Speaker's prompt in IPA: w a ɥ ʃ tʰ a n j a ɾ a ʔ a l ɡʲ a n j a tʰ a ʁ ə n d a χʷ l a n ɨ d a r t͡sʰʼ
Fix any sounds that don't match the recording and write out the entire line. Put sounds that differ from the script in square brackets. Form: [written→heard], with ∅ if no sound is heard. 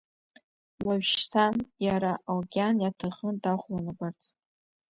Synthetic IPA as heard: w a ɥ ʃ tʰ a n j a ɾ a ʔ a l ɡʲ a n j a tʰ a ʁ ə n d a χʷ l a n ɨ [d→b] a r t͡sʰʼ